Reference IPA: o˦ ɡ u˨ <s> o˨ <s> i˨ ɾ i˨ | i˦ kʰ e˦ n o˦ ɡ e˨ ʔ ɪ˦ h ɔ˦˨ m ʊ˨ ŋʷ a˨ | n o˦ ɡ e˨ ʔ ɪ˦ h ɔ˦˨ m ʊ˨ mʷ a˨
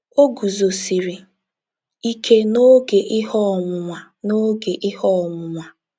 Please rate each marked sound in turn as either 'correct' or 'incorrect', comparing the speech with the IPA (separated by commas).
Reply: incorrect, correct